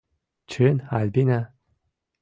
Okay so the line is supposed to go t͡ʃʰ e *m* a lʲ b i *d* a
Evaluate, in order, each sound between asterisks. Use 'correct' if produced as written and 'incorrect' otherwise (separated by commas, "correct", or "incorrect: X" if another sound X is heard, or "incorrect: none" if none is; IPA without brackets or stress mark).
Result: incorrect: n, incorrect: n